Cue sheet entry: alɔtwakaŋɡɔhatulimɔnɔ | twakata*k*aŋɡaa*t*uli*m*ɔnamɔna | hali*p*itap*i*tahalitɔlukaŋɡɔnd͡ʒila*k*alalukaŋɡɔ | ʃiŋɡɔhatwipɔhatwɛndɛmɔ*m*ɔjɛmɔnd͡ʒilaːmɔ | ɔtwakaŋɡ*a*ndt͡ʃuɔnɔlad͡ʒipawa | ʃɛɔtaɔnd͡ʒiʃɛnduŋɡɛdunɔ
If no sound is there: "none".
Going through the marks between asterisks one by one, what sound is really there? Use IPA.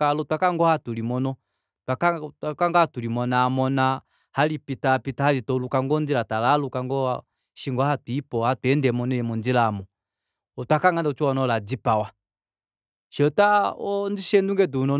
k, t, m, p, i, t, n, a

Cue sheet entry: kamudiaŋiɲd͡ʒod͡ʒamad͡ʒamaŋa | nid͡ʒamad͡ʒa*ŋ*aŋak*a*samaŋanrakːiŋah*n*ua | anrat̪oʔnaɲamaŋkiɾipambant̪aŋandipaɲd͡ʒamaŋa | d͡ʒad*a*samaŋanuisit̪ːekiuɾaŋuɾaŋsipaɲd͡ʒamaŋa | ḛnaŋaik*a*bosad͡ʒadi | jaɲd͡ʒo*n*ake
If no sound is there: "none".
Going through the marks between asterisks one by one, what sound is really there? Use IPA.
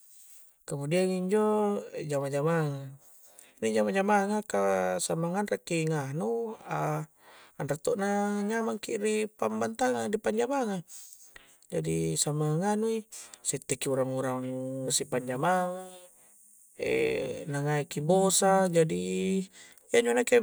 m, a, n, i, i, n

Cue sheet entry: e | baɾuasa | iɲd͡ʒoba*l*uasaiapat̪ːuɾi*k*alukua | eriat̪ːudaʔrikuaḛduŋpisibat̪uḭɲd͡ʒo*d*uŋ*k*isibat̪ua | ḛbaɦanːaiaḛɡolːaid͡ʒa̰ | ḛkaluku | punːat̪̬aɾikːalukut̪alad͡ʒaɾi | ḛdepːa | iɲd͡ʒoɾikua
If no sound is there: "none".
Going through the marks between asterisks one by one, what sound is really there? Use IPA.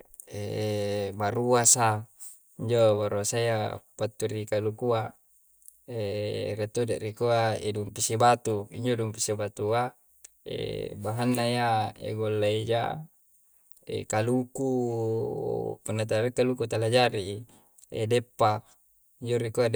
ɾ, k, d, p

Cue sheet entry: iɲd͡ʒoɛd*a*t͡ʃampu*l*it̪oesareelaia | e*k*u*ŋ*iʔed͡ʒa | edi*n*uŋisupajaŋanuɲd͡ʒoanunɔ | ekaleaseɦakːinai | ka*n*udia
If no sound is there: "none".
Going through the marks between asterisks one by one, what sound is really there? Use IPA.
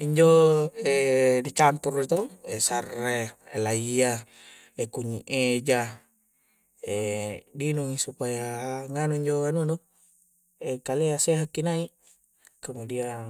i, r, k, ɲ, n, m

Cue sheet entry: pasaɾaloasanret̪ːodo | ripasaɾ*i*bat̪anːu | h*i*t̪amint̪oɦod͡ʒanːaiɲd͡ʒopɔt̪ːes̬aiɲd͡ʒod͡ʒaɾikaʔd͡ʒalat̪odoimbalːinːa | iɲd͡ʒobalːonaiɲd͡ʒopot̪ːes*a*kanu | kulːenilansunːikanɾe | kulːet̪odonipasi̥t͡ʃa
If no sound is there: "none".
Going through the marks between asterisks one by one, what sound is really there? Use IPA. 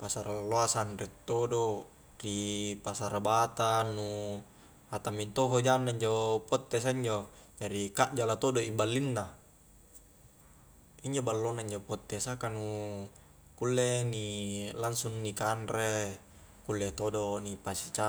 a, a, a

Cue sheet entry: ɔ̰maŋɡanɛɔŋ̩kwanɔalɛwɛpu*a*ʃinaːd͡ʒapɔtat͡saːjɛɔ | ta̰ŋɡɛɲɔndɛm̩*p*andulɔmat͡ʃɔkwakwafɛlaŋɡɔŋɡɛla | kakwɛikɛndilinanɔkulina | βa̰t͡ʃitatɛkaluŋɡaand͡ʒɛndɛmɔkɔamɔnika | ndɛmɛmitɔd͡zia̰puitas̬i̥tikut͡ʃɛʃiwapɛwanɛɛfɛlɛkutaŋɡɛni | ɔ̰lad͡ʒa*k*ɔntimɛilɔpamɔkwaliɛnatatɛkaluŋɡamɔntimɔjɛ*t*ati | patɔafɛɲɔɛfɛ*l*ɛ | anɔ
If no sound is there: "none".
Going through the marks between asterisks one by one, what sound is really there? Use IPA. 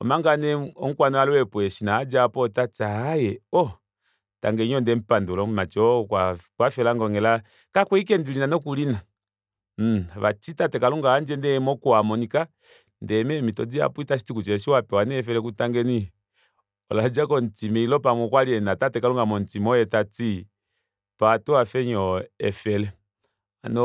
ɛ, p, k, t, l

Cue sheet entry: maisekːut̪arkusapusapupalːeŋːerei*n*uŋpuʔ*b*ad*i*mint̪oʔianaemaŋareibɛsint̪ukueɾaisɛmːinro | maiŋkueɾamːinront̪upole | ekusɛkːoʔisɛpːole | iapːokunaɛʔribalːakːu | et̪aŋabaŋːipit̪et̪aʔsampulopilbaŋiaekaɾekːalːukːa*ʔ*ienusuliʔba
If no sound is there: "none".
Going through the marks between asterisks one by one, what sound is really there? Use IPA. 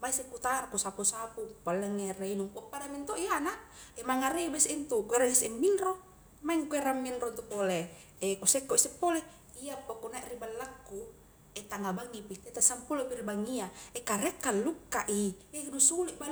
n, p, a, ʔ

